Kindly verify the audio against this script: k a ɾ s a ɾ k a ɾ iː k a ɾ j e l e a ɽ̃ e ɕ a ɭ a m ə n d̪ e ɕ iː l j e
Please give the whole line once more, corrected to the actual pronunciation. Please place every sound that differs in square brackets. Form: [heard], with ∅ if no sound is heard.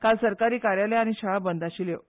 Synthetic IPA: k a [l] s [ə] ɾ k a ɾ iː k a ɾ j [a] l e a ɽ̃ [i] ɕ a ɭ a [b] ə n d̪ [a] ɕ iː l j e